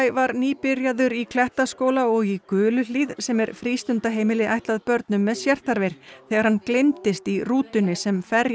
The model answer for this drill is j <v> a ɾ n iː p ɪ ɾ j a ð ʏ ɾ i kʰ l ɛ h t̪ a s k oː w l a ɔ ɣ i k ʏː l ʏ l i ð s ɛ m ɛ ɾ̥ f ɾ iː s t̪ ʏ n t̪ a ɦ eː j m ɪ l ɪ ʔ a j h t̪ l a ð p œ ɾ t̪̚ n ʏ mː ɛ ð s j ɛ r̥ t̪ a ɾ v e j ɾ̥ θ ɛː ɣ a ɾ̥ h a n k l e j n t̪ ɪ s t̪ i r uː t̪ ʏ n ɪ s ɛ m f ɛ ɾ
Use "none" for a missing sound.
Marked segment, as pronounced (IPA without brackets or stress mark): v